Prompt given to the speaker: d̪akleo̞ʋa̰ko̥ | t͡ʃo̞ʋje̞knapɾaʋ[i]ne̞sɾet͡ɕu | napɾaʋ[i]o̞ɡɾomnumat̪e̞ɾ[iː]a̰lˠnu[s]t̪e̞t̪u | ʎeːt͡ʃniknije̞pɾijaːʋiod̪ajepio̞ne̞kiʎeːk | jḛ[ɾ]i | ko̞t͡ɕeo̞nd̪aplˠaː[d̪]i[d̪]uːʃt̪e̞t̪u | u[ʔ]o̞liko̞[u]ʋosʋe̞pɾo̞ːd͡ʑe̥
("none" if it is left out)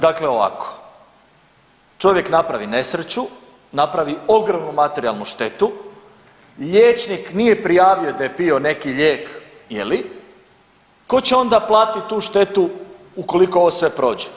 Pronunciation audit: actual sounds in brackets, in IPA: i, i, i, ʃ, l, t̪, t̪, k, o

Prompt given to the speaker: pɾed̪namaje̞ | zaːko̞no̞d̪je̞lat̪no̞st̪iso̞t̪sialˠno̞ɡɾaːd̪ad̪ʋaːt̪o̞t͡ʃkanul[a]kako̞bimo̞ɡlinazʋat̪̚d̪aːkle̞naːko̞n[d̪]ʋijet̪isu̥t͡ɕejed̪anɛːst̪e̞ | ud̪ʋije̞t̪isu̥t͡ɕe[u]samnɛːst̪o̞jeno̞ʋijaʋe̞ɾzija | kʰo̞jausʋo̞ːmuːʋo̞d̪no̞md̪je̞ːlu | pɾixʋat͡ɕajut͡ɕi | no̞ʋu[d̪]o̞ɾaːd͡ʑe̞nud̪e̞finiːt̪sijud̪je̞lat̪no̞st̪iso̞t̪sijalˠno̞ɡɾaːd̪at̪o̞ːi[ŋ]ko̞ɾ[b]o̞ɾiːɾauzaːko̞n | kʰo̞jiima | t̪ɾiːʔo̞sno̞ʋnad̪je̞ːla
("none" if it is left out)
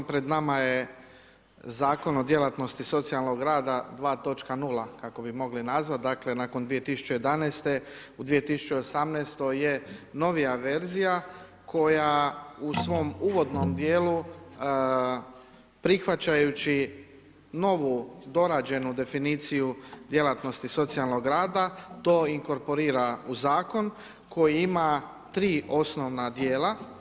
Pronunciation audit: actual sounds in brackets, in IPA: a, d̪, o, d̪, ŋ, p

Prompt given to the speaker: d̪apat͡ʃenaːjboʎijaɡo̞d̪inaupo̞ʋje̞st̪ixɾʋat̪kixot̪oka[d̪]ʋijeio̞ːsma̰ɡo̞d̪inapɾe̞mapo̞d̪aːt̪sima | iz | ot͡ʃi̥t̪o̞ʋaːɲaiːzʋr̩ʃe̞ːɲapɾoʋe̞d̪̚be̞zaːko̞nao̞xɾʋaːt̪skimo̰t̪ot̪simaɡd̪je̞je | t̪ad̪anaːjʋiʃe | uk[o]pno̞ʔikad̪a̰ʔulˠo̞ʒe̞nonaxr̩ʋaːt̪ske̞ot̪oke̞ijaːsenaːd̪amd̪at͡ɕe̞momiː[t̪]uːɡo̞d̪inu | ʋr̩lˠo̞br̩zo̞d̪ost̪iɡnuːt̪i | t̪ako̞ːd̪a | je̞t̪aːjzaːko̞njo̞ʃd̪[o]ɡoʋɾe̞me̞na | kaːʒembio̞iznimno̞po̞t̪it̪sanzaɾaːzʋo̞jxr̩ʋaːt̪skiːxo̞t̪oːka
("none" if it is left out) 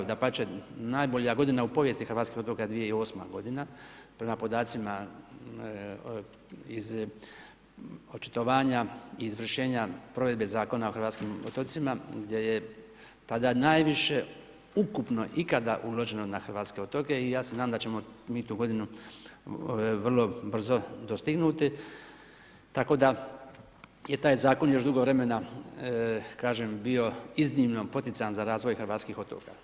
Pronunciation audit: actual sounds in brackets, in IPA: d̪, u, t̪, u

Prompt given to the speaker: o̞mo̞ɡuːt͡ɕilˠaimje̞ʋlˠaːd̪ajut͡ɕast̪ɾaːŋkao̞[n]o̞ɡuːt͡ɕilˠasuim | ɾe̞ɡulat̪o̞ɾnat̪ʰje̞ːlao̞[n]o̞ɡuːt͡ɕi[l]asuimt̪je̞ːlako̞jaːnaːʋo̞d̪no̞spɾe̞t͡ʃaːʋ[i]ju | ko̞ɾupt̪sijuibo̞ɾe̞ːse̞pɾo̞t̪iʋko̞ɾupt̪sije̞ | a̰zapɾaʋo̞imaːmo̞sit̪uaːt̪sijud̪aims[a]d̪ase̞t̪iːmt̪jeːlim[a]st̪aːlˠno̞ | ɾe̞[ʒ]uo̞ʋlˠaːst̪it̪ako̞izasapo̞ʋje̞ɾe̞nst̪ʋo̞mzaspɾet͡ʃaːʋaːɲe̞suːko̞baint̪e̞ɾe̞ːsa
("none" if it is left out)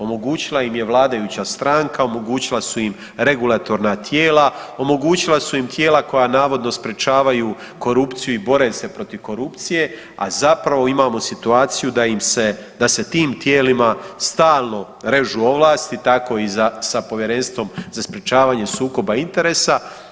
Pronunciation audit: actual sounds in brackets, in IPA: m, m, l, a, e, a, ʒ

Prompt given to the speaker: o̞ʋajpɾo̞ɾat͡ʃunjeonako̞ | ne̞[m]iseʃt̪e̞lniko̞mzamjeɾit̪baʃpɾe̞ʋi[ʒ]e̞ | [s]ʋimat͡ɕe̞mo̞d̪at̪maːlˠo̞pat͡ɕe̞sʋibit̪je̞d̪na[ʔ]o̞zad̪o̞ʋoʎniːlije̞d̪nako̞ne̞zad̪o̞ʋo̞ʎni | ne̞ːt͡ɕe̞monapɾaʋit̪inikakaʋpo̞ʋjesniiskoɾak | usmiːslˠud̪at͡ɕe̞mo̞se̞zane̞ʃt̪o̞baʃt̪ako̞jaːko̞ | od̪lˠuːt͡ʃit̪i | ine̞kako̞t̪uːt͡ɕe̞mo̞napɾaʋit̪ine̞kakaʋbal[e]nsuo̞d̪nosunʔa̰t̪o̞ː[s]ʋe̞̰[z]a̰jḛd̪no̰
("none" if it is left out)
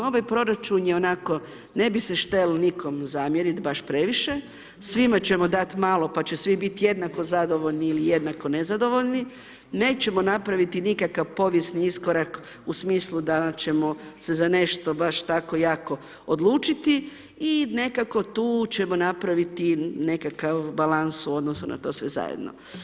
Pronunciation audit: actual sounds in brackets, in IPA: b, ʃ, s, k, a, s, z

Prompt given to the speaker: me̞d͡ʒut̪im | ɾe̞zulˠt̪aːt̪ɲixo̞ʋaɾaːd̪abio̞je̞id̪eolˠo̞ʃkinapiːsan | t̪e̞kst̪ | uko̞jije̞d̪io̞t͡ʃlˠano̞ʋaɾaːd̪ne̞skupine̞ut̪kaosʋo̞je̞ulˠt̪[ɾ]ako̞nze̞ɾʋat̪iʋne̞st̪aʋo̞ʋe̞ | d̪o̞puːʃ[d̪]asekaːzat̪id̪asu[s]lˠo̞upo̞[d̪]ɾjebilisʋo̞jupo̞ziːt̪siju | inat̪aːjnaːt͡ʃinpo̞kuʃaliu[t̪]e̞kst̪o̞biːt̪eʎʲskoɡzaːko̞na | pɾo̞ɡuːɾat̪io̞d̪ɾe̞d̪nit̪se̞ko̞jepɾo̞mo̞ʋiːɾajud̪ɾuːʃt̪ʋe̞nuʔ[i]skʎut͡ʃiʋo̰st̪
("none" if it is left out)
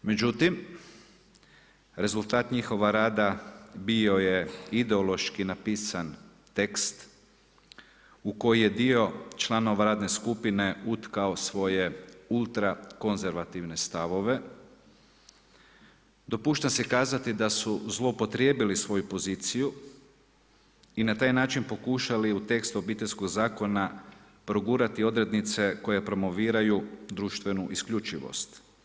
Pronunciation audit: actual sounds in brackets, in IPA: ɾ, t̪, z, t̪, t̪, i

